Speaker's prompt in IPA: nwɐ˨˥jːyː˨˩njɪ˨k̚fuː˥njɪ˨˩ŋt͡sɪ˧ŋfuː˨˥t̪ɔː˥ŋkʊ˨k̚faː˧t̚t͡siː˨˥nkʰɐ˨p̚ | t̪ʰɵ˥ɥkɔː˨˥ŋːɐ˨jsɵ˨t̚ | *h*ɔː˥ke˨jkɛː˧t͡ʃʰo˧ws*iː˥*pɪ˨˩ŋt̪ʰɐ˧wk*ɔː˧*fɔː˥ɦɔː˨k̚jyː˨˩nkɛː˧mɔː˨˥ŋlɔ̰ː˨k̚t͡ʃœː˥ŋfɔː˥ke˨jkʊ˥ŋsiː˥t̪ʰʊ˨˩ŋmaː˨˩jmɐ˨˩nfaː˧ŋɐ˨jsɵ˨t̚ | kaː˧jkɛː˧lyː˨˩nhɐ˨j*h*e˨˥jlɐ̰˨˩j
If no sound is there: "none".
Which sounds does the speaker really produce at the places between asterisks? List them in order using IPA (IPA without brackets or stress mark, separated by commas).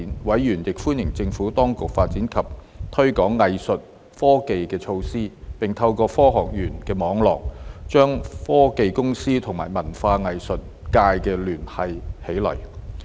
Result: f, iː˥, ɔː˧, h